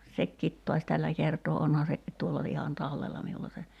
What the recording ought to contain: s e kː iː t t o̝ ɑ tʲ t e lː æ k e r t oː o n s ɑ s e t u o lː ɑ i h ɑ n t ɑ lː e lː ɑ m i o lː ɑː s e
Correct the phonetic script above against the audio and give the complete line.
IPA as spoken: s e kː iː t t o̝ ɑ sʲ t æ lː æ k e r t oː o n h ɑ s e t u o lː ɑ i h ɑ n t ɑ lː e lː ɑ m i u lː ɑ s e